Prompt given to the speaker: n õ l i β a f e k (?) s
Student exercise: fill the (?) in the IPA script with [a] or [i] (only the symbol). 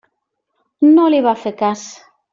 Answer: a